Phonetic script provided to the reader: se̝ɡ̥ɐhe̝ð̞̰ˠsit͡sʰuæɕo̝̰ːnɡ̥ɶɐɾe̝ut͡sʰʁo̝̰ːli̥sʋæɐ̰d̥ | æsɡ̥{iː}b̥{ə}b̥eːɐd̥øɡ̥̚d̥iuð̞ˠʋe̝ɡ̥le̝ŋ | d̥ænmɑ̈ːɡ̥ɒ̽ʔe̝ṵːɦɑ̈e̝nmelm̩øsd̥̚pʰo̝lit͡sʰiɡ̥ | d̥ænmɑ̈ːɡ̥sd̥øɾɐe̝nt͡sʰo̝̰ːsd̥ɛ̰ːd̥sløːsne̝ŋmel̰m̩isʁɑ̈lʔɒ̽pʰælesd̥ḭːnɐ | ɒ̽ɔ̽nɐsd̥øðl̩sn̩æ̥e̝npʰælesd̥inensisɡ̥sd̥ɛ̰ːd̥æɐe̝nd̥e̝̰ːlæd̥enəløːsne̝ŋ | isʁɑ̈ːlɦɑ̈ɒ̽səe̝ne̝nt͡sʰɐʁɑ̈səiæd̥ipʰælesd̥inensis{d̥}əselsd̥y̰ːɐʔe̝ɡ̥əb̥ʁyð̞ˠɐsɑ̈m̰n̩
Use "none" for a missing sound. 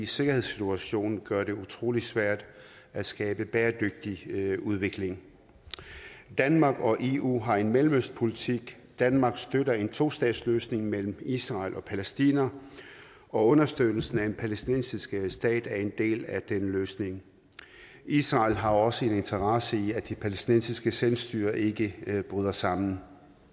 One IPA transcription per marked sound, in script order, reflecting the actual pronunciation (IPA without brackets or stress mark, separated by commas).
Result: ɛː, ə, ɡ̥